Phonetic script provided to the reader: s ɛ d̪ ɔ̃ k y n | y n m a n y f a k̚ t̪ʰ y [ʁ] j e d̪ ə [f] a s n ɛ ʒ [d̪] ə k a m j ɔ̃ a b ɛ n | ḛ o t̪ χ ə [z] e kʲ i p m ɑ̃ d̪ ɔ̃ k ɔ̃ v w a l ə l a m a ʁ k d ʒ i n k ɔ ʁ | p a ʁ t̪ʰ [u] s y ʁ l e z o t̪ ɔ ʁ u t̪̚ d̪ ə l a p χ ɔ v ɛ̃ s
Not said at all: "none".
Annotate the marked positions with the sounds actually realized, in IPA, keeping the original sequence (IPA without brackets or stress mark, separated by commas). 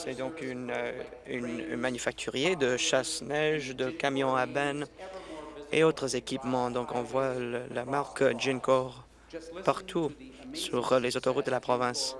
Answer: ʁ, ʃ, d̪, z, u